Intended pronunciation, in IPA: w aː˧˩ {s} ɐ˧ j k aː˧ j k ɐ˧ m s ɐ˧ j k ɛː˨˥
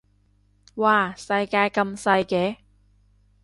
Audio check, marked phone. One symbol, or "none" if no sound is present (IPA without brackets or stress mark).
s